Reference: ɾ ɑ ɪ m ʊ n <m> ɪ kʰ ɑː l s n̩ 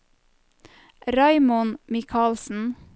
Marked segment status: correct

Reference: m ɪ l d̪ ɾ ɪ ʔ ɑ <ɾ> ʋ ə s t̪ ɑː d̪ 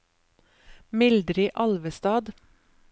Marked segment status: incorrect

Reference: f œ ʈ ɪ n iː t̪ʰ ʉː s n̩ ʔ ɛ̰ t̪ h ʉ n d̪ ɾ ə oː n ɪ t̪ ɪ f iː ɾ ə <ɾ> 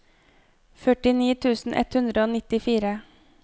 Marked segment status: incorrect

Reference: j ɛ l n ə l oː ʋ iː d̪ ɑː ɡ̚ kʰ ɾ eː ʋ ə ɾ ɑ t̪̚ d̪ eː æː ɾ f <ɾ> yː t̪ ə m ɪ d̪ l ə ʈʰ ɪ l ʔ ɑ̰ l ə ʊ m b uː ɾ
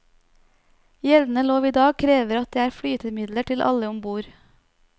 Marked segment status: incorrect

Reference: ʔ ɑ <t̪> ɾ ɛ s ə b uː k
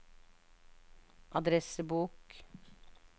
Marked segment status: incorrect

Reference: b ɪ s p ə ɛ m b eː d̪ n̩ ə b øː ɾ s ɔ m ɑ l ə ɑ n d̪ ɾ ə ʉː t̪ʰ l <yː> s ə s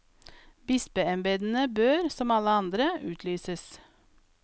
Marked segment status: correct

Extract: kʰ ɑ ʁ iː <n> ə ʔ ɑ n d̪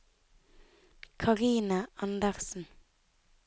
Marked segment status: correct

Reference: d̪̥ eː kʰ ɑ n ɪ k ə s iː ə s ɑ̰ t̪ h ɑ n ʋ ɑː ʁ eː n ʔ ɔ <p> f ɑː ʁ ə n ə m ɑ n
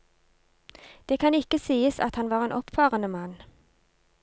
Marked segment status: correct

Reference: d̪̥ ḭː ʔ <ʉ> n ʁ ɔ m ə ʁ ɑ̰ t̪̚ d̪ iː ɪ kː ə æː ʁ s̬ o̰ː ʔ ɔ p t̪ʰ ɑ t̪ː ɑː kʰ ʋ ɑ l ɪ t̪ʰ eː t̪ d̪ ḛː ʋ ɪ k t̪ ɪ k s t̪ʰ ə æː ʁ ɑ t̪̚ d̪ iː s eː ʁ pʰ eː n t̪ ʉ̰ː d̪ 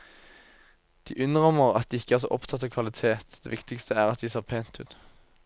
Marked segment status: correct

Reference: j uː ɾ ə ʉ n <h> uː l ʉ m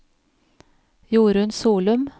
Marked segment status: incorrect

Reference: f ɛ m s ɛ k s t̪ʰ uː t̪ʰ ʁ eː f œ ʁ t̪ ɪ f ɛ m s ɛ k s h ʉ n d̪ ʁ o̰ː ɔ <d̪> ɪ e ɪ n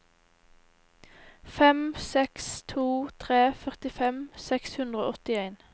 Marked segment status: incorrect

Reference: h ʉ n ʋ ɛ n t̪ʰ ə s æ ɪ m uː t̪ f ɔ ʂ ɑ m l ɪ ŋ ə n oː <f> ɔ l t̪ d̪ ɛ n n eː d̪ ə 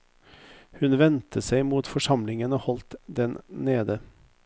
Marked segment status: incorrect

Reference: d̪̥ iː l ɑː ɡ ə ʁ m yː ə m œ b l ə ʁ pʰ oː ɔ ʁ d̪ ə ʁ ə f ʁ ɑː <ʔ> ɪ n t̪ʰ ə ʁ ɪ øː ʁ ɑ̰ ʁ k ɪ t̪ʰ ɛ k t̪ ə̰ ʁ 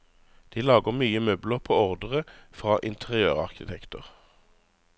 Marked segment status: correct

